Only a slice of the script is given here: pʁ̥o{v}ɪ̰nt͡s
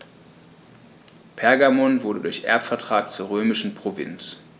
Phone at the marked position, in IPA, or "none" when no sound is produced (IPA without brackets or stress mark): v